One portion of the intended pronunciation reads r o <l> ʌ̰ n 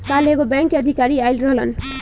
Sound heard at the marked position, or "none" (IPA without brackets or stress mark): l